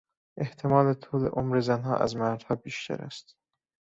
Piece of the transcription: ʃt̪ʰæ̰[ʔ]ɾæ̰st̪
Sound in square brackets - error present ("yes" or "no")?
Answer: yes